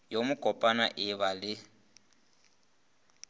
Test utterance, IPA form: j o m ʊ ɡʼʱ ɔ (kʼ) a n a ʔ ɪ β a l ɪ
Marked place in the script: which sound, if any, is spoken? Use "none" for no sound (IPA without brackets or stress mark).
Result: pʼ